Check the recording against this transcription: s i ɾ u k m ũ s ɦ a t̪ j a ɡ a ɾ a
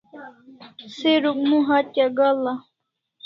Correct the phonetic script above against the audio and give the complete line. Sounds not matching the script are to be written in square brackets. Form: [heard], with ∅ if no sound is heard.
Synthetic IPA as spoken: s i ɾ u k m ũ [∅] ɦ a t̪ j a ɡ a [l] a